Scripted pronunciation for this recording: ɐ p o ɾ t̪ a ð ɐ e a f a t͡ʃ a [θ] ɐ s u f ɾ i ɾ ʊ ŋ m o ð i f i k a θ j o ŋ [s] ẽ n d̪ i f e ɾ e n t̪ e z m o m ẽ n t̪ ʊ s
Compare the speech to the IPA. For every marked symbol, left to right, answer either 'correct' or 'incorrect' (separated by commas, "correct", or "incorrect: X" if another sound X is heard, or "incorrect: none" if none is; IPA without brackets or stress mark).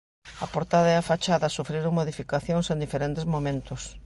incorrect: ð, correct